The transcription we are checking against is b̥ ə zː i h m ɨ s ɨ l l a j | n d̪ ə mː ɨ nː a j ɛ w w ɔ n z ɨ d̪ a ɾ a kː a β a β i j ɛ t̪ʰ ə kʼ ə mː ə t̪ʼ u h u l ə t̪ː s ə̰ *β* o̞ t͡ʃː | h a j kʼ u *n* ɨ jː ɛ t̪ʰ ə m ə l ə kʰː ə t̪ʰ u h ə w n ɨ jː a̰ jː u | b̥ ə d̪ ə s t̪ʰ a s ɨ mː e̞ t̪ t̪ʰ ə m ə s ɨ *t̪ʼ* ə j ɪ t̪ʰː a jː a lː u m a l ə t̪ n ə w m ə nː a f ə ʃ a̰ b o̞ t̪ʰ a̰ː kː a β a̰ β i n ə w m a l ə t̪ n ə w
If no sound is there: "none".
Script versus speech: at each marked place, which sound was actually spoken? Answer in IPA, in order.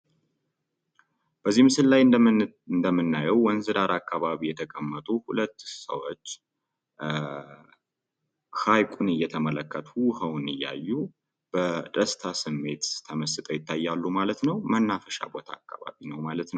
w, n, t̪ʼ

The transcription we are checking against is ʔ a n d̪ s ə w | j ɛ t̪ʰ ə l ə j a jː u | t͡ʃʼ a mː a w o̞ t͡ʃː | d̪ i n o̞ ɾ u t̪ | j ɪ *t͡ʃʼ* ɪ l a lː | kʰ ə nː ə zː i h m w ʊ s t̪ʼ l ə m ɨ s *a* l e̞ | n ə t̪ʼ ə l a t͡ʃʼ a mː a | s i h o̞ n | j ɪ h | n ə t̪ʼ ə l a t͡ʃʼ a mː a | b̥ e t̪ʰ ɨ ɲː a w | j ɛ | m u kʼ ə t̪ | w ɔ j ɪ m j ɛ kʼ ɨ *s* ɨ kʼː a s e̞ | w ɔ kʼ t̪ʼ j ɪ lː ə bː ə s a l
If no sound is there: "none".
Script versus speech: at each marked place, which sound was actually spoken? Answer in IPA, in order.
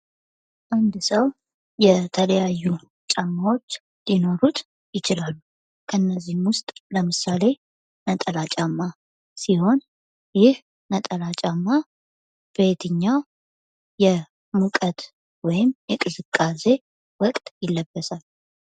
t͡ʃ, a, z

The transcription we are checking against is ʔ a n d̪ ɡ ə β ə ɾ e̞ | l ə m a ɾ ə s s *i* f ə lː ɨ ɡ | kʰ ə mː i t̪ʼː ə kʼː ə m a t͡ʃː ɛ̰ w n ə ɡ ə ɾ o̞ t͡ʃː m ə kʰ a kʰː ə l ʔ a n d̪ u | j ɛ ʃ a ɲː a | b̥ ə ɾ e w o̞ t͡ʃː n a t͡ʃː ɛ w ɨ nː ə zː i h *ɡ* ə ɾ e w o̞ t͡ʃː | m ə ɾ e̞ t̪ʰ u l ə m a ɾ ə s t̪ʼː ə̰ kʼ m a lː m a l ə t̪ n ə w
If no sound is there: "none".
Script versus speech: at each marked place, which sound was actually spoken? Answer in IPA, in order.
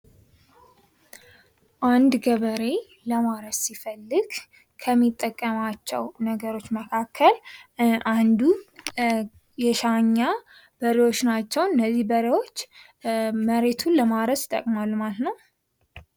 i, b

